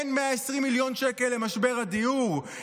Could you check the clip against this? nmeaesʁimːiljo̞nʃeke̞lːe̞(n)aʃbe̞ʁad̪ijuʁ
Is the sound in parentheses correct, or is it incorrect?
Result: incorrect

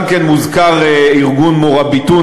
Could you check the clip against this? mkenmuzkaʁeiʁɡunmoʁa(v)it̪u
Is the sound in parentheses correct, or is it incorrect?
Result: incorrect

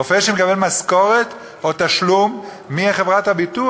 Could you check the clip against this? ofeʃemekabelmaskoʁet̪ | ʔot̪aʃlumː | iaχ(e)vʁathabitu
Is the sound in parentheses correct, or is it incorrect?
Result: correct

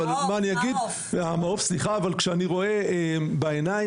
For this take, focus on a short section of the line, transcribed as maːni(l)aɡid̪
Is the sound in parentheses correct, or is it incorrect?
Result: incorrect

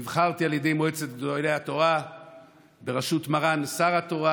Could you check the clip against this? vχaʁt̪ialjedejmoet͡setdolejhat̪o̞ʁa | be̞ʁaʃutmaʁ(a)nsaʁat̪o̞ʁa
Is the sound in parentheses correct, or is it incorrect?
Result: correct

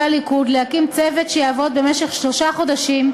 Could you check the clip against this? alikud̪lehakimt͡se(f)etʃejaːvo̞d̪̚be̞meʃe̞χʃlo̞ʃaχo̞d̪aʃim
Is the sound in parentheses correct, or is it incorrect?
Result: incorrect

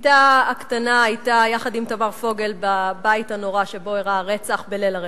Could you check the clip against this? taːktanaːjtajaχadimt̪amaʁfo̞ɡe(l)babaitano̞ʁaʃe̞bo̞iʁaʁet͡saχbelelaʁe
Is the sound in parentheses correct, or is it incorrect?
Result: correct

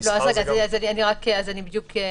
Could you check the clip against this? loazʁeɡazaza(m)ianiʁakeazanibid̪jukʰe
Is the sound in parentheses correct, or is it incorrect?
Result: incorrect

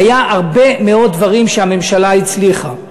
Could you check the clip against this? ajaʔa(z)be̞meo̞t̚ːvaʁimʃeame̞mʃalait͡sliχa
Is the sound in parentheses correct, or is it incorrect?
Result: incorrect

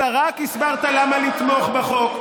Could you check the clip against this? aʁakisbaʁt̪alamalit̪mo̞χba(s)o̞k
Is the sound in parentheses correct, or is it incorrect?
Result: incorrect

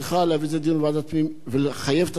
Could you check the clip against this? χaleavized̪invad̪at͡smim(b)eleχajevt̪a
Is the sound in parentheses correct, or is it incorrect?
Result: incorrect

